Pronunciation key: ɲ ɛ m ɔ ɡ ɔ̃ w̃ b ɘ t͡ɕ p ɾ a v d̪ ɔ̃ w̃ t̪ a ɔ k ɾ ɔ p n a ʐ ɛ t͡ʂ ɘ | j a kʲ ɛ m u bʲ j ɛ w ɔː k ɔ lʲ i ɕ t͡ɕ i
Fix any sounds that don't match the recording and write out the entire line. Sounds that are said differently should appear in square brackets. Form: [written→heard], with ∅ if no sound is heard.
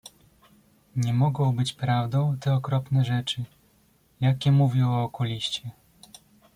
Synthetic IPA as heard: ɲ ɛ m ɔ ɡ ɔ̃ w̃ b ɘ t͡ɕ p ɾ a v d̪ ɔ̃ w̃ t̪ [a→ɛ] ɔ k ɾ ɔ p n [a→ɛ] ʐ ɛ t͡ʂ ɘ | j a kʲ ɛ m u [bʲ→vʲ] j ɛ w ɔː k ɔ lʲ i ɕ t͡ɕ [i→ɛ]